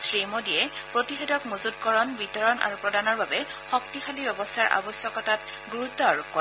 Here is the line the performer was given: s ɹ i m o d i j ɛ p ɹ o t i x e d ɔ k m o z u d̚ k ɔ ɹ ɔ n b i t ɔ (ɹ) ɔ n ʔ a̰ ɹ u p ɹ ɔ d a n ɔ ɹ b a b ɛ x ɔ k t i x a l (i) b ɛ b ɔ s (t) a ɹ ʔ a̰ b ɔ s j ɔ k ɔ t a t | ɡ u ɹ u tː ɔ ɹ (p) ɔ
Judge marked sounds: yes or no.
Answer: yes, yes, no, no

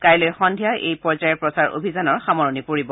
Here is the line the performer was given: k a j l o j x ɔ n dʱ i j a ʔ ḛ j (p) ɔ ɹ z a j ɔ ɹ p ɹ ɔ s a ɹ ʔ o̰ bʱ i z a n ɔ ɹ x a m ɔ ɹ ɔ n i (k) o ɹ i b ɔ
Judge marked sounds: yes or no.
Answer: yes, no

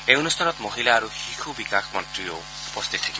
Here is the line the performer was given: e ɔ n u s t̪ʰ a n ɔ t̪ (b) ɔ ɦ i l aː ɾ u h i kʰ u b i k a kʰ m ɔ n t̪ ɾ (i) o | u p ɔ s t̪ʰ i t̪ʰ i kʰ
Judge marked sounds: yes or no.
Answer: no, yes

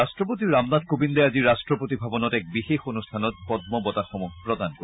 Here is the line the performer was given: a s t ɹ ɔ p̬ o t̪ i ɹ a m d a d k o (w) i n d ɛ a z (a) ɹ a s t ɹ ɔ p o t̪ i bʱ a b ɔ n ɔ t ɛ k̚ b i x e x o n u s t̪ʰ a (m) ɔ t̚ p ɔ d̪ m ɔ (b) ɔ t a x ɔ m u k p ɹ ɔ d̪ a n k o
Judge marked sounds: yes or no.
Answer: no, no, no, yes

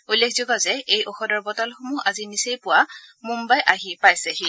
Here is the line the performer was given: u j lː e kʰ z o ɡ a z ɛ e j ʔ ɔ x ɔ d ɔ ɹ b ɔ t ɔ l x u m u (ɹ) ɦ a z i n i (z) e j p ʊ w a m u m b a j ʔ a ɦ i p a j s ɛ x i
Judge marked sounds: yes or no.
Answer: no, no

